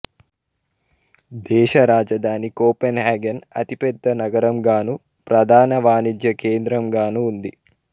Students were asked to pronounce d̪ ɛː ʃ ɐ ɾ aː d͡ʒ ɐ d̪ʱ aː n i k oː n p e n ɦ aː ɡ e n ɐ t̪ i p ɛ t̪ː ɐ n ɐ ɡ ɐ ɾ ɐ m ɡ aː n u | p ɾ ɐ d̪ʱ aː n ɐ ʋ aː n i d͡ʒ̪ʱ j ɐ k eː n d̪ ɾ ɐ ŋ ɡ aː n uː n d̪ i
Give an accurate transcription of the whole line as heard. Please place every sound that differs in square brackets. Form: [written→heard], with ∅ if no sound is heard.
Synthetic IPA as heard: d̪ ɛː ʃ ɐ ɾ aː d͡ʒ ɐ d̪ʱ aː n i k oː [n→∅] p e n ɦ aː ɡ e n ɐ t̪ i p ɛ [t̪ː→d̪ː] ɐ n ɐ ɡ ɐ ɾ ɐ m ɡ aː n u | p ɾ ɐ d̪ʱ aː n ɐ ʋ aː n i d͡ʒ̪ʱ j ɐ k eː n d̪ ɾ ɐ [ŋ→m] ɡ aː n uː n d̪ i